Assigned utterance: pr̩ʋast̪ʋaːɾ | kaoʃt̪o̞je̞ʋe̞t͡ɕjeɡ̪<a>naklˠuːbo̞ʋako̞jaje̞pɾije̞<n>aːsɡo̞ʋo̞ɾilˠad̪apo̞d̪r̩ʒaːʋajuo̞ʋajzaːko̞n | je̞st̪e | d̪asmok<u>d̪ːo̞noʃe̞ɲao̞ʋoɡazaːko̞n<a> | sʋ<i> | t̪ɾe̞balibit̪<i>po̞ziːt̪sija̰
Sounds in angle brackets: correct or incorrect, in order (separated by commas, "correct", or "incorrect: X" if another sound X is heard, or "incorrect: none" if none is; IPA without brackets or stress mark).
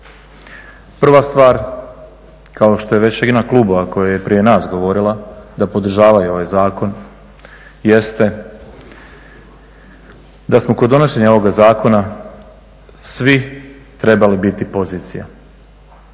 incorrect: i, correct, incorrect: o, correct, correct, correct